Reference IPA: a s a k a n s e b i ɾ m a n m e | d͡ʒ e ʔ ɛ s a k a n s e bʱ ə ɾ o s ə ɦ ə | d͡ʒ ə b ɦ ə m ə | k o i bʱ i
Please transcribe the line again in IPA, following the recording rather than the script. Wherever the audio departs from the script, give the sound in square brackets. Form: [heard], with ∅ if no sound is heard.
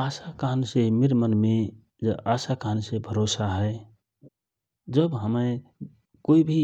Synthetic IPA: a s a k a n s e [m] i ɾ m [ə] n m e | d͡ʒ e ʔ [a] s a k a n s e bʱ ə ɾ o s [a] ɦ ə | d͡ʒ ə b ɦ ə m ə | k o i bʱ i